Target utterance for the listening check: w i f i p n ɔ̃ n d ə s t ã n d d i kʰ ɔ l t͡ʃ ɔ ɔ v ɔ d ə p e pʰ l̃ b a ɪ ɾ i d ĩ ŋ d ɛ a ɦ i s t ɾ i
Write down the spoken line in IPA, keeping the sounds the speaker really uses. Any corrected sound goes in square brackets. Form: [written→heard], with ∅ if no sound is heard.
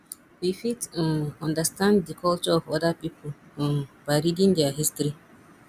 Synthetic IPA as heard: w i f i [p→t] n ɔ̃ n d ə s t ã n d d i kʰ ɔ l t͡ʃ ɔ ɔ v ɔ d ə p [e→i] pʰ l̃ b a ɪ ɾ i d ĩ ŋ d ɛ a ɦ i s t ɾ i